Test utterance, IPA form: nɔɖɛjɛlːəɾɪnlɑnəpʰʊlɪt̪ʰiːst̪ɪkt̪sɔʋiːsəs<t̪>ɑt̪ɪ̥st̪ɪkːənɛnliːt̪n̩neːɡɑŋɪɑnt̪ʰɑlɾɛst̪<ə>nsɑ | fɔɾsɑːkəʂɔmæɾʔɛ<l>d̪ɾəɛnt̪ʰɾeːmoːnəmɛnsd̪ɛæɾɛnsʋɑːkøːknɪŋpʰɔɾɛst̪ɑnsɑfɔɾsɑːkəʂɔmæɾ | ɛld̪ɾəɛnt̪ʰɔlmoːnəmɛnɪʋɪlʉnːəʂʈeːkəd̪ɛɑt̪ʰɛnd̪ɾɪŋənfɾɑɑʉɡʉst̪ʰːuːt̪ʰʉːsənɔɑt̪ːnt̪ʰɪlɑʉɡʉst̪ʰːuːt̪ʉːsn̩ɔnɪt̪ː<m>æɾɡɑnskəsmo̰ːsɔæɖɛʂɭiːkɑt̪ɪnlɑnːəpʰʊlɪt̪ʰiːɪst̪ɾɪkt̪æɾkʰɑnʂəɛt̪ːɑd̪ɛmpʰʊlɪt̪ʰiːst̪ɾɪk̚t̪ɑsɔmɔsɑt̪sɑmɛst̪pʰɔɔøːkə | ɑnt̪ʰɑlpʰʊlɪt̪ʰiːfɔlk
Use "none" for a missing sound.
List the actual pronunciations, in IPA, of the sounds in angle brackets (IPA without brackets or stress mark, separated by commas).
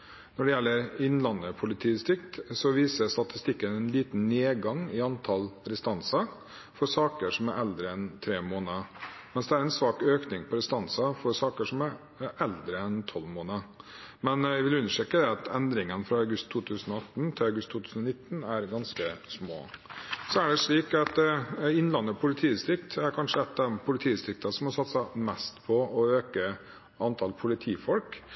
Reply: t̪, ɑ, l, n